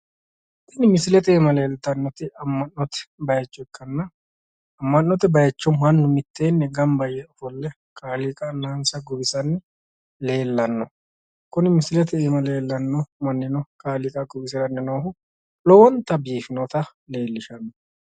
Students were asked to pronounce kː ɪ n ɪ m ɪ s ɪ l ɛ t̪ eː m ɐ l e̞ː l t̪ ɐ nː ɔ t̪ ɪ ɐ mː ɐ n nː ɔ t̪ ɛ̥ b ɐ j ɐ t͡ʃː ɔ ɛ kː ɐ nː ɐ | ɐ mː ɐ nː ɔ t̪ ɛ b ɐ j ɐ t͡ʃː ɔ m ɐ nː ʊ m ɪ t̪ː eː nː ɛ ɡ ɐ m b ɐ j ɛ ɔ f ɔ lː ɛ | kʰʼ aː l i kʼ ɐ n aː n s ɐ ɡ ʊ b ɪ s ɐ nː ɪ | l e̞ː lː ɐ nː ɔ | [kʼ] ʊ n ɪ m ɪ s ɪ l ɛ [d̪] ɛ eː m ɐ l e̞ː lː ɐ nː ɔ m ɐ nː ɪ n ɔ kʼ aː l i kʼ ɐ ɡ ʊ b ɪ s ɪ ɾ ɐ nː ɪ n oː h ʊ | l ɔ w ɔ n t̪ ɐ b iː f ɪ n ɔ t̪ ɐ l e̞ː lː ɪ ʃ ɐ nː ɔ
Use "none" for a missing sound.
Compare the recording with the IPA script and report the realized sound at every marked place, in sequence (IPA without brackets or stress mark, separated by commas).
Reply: k, t̪